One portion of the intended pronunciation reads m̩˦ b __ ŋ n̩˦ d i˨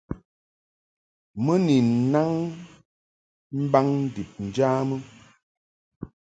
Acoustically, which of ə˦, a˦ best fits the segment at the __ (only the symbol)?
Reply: a˦